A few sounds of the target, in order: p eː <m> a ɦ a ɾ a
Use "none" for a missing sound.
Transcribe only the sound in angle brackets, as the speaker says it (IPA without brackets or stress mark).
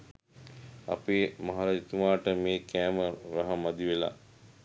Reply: m